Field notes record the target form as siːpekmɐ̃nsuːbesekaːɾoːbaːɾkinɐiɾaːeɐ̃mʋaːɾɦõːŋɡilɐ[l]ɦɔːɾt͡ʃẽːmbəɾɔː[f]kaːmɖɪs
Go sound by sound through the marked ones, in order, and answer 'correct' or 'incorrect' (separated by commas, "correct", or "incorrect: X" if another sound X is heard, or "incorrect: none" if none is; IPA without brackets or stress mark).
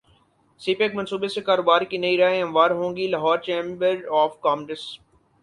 incorrect: none, correct